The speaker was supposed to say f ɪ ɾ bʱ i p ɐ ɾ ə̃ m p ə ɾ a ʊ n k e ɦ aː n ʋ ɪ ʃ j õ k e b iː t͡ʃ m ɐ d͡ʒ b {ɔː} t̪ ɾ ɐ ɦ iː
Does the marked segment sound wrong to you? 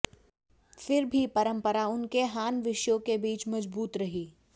yes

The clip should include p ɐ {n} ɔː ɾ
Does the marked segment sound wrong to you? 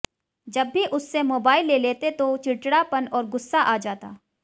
no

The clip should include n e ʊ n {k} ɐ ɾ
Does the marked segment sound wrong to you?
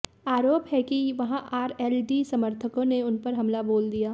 yes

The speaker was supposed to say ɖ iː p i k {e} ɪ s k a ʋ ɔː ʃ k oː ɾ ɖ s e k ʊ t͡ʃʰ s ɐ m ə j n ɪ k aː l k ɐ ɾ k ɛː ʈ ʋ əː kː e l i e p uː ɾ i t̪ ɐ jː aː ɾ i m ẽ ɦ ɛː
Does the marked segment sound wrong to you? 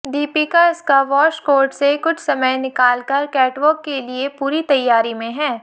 yes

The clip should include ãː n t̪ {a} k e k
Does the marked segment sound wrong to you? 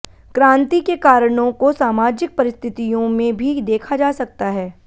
yes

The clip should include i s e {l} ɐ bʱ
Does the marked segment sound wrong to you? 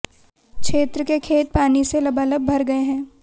no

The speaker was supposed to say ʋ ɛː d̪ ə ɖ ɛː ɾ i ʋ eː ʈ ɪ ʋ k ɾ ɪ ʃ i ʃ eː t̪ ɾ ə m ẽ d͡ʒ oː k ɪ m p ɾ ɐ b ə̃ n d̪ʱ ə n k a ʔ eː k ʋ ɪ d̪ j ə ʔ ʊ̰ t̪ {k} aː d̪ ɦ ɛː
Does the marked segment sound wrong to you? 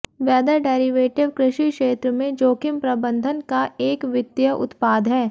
yes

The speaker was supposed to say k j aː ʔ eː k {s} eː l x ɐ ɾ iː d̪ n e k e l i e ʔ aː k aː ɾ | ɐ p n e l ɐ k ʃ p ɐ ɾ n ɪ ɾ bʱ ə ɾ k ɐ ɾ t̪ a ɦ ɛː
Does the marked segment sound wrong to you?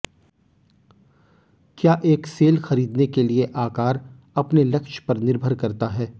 no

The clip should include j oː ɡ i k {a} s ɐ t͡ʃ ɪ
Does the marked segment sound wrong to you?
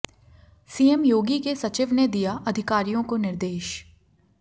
yes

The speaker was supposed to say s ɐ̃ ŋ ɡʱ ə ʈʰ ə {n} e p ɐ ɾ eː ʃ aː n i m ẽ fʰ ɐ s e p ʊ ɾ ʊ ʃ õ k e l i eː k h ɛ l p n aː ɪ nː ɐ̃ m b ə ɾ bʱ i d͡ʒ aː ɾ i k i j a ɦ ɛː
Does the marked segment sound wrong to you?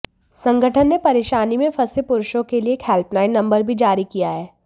yes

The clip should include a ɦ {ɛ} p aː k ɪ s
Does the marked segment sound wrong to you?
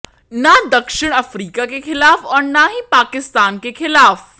yes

